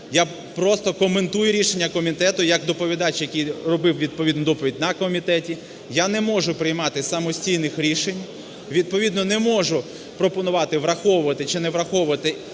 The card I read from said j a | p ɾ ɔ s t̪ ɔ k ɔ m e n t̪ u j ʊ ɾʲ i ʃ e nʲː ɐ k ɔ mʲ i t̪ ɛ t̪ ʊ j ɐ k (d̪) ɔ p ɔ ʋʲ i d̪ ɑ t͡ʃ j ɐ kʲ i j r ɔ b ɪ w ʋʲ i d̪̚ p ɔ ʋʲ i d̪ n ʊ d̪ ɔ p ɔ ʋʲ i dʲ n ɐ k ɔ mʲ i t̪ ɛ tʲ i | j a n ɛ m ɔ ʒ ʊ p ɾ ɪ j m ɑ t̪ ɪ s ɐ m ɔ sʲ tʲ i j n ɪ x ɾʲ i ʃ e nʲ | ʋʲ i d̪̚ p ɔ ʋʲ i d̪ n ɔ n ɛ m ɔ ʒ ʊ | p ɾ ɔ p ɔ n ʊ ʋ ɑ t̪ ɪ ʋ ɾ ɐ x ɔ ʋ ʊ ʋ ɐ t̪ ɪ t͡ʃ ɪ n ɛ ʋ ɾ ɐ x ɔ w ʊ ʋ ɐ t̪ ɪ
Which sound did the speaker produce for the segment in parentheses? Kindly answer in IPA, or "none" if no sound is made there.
d̪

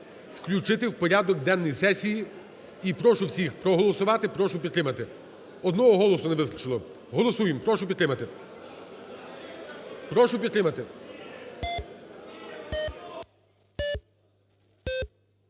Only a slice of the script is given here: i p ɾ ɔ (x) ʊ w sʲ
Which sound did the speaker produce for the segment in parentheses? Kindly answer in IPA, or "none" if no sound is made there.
ʃ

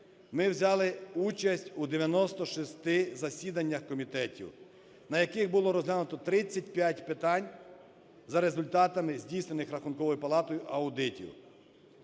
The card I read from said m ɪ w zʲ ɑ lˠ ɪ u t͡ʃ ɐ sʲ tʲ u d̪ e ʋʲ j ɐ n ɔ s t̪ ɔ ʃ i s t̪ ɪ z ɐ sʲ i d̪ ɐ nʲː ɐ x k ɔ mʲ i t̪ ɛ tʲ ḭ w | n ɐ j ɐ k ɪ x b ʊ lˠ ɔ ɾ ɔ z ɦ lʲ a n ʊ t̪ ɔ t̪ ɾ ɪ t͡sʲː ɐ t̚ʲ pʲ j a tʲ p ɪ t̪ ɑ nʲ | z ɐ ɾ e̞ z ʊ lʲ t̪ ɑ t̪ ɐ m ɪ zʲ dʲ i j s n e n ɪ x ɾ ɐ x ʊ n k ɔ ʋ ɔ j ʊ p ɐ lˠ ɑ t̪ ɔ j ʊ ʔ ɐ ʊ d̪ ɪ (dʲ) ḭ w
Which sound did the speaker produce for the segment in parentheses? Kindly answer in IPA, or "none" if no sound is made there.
tʲ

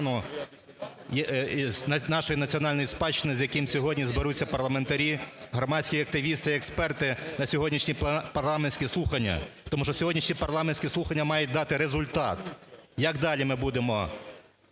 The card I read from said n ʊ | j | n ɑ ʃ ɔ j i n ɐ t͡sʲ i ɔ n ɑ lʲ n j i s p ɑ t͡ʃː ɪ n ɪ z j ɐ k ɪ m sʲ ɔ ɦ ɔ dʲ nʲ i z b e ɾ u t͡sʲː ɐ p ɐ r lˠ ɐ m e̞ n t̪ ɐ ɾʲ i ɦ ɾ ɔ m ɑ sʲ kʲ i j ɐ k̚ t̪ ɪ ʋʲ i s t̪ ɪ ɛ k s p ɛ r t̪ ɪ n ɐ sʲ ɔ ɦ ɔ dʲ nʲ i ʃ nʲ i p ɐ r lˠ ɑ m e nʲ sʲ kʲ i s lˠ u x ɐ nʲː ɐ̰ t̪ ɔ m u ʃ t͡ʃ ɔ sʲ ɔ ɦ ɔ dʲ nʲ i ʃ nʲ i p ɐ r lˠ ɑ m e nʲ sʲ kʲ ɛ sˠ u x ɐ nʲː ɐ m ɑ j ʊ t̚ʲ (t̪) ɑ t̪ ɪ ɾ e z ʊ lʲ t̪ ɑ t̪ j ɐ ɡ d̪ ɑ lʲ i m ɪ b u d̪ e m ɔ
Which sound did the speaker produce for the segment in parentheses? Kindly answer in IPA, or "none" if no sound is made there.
d̪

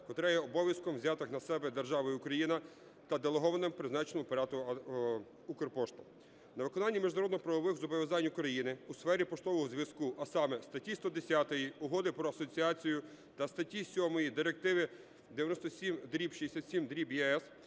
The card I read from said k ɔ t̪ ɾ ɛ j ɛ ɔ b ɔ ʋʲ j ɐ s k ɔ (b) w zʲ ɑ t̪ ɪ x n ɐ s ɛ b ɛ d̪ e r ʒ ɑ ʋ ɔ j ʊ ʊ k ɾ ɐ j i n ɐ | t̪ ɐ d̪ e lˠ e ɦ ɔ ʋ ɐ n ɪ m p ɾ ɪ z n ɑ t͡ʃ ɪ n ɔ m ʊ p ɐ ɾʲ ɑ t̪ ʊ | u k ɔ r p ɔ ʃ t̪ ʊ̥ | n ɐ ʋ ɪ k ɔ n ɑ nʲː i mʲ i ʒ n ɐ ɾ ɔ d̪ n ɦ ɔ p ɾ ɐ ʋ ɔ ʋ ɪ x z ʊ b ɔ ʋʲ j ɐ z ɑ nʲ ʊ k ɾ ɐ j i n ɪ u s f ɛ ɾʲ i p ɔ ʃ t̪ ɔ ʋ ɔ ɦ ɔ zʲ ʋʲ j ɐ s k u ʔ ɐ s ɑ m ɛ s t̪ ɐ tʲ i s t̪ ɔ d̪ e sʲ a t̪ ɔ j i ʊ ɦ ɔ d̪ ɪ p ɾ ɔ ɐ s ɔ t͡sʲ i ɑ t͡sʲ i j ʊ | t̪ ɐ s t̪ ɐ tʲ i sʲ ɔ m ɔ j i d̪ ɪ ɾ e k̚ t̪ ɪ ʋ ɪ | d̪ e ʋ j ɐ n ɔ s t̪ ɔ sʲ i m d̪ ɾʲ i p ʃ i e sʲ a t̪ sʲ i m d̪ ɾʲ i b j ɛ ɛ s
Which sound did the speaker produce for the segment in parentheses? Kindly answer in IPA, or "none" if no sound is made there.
m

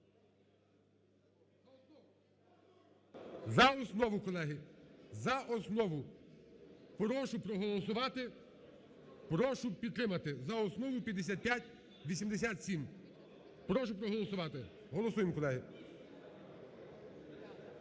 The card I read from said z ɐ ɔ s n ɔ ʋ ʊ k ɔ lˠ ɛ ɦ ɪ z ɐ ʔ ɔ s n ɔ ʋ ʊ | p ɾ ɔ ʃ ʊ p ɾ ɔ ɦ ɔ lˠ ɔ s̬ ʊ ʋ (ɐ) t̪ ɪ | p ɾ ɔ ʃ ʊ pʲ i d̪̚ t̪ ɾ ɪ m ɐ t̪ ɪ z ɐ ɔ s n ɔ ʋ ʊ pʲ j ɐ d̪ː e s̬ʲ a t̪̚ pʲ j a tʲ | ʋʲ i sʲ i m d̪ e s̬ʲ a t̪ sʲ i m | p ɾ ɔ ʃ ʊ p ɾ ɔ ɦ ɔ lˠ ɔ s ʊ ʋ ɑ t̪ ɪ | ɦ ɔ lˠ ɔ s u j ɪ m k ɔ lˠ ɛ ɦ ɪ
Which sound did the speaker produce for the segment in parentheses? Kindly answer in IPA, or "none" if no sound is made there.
ɑ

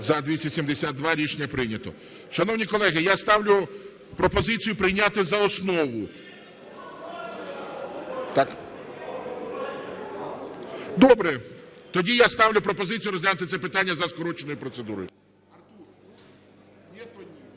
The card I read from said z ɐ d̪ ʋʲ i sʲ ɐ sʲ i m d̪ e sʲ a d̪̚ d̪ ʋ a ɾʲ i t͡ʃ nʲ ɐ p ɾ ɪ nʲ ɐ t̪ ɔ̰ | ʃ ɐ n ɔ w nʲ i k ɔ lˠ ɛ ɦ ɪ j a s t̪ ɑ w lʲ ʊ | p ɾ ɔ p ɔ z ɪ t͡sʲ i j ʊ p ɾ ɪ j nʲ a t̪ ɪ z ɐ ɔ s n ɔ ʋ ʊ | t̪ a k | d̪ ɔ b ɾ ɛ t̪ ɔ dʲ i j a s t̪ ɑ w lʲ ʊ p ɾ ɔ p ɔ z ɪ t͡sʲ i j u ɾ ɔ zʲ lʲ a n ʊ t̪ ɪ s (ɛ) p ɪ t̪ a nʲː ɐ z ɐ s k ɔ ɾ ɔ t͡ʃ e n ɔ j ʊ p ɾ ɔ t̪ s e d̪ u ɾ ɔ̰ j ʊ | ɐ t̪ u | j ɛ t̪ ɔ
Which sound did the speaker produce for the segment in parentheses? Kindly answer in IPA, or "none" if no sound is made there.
ɛ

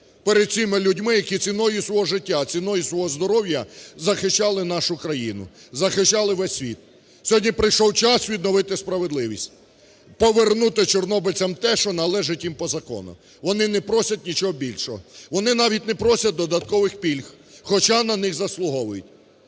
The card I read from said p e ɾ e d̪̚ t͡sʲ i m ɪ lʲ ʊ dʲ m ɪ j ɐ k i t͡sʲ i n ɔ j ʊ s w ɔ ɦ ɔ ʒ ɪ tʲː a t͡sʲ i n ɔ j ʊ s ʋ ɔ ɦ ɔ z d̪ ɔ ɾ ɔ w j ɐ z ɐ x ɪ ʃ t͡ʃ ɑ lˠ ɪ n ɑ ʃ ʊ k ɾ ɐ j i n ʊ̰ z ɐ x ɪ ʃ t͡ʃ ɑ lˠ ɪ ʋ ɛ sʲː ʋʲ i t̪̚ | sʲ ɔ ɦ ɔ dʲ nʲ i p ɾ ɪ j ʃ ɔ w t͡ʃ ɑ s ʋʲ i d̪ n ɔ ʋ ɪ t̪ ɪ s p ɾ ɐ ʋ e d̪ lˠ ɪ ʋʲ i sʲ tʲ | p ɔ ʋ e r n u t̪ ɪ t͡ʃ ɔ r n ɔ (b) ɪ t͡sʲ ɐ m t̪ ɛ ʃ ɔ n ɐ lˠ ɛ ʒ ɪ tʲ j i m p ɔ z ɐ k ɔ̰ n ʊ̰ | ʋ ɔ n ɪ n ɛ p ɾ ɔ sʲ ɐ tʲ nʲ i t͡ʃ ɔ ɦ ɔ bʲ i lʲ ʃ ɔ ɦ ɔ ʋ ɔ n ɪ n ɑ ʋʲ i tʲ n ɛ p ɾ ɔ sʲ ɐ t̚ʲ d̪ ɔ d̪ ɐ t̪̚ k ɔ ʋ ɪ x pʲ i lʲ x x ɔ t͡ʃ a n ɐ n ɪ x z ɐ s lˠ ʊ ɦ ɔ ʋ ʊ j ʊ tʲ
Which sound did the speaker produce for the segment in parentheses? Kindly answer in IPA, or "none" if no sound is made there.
b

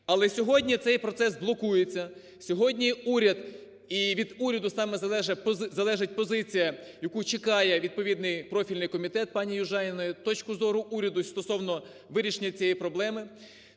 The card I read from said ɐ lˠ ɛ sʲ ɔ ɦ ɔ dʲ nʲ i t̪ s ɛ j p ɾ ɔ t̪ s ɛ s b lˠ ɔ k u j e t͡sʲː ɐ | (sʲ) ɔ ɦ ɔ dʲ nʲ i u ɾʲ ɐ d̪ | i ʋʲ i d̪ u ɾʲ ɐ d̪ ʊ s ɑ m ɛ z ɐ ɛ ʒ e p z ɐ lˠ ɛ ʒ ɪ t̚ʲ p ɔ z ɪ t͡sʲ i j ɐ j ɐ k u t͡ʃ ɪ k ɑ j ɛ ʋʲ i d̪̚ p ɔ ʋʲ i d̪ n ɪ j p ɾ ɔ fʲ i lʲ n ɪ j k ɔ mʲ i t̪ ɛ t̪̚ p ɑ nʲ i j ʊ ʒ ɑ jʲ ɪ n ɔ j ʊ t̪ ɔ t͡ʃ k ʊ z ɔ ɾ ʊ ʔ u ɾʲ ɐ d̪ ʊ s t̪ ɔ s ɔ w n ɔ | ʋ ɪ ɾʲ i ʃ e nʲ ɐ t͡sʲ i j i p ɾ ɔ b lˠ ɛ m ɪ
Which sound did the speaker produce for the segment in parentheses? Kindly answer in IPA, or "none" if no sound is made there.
sʲ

